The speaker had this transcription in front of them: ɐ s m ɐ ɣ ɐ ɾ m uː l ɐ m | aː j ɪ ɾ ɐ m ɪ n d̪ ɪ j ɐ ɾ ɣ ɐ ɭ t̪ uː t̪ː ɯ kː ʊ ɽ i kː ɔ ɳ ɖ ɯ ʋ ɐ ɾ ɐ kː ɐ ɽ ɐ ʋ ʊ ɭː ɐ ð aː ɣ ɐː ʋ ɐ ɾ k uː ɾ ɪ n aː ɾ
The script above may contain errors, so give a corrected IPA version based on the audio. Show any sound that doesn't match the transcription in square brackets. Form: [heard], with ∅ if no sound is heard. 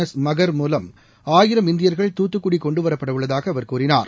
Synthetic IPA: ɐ s m ɐ ɣ ɐ ɾ m uː l ɐ m | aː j ɪ ɾ ɐ m ɪ n d̪ ɪ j ɐ ɾ ɣ ɐ ɭ t̪ uː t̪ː ɯ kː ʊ ɽ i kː ɔ ɳ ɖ ɯ ʋ ɐ ɾ ɐ [pː] ɐ ɽ ɐ ʋ [ɯ] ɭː ɐ ð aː ɣ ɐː ʋ ɐ ɾ k uː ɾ ɪ n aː ɾ

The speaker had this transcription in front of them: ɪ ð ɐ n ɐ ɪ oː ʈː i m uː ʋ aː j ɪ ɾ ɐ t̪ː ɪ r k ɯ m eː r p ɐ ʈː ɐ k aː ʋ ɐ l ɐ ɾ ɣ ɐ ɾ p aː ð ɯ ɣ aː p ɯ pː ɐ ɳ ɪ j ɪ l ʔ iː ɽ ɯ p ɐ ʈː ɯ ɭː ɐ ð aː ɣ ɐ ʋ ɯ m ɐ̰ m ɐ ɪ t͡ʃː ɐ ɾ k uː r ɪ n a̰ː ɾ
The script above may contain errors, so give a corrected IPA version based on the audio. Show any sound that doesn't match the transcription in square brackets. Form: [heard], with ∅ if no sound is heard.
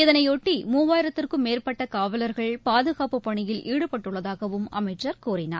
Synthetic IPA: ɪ ð ɐ n ɐ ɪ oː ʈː i m uː ʋ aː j ɪ ɾ ɐ t̪ː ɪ r k ɯ m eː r p ɐ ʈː ɐ k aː ʋ ɐ l ɐ ɾ ɣ ɐ [ɭ] p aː ð ɯ ɣ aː p ɯ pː ɐ ɳ ɪ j ɪ l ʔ iː ɽ ɯ p ɐ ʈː ɯ ɭː ɐ ð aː ɣ ɐ ʋ ɯ m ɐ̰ m ɐ ɪ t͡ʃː ɐ ɾ k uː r ɪ n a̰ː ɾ

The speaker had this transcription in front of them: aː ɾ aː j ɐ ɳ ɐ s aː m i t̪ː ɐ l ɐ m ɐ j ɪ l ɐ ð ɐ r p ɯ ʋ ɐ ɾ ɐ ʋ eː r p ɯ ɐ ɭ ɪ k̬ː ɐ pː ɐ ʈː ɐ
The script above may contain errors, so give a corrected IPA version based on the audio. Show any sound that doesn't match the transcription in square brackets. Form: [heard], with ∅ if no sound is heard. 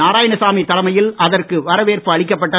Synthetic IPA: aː ɾ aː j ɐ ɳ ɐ s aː m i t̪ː ɐ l ɐ m ɐ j ɪ l ɐ ð ɐ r [k] ɯ ʋ ɐ ɾ ɐ ʋ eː r p ɯ ɐ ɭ ɪ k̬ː ɐ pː ɐ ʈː ɐ

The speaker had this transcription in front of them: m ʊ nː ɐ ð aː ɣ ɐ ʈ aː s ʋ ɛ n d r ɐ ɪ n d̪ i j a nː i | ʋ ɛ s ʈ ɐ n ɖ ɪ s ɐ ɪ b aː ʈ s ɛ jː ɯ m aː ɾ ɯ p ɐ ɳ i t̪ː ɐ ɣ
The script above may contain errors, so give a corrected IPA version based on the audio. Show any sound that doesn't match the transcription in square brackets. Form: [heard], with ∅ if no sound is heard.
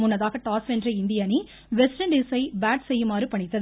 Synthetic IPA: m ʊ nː ɐ ð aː ɣ ɐ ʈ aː s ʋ ɛ n d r ɐ ɪ n d̪ [ɪ] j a [n] i | ʋ ɛ s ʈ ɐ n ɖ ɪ s ɐ ɪ b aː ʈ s ɛ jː ɯ m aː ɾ ɯ p ɐ ɳ [ɪ] t̪ː ɐ [ð]

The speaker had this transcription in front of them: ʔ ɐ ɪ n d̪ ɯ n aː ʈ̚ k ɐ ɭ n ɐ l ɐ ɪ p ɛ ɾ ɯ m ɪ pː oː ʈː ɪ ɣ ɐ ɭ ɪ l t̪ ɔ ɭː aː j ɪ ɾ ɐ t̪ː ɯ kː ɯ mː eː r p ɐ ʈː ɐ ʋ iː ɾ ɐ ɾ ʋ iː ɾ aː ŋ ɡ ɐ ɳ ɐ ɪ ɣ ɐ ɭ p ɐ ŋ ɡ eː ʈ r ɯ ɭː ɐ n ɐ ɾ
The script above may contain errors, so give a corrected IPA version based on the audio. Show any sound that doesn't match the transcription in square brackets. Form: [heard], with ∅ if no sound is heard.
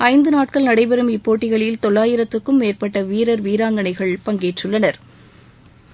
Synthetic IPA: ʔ ɐ ɪ n d̪ ɯ n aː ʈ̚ k ɐ ɭ n ɐ [ɽ] ɐ ɪ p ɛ ɾ ɯ m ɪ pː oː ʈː ɪ ɣ ɐ ɭ ɪ l t̪ ɔ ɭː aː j ɪ ɾ ɐ t̪ː ɯ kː ɯ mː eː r p ɐ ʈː ɐ ʋ iː ɾ ɐ ɾ ʋ iː ɾ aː ŋ ɡ ɐ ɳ ɐ ɪ ɣ ɐ ɭ p ɐ ŋ ɡ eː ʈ r ɯ ɭː ɐ n ɐ ɾ

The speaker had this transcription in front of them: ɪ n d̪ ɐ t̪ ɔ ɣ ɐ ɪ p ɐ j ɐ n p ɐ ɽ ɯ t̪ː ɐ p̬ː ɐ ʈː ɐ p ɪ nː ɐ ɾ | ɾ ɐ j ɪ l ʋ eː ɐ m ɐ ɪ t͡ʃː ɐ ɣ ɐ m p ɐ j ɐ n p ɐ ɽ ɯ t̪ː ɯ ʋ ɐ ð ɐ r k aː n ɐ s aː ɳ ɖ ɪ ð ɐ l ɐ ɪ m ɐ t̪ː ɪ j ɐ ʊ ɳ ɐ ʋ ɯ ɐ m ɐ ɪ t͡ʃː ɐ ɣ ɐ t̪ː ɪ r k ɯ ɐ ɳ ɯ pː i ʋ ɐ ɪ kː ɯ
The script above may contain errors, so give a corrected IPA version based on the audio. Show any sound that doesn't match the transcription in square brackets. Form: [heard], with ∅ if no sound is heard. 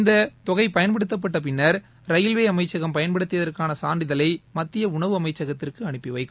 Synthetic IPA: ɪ n d̪ ɐ t̪ ɔ ɣ ɐ ɪ p ɐ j ɐ n p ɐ ɽ ɯ t̪ː ɐ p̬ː ɐ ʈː ɐ p ɪ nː ɐ ɾ | ɾ ɐ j ɪ l ʋ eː ɐ m ɐ ɪ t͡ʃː ɐ ɣ ɐ m p ɐ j ɐ n p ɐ ɽ ɯ t̪ː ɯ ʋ ɐ ð ɐ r k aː n ɐ s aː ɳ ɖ ɪ ð ɐ l ɐ ɪ m ɐ t̪ː ɪ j ɐ ʊ ɳ ɐ ʋ ɯ ɐ m ɐ ɪ t͡ʃː ɐ ɣ ɐ t̪ː ɪ r k ɯ ɐ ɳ ɯ pː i ʋ ɐ ɪ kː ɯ

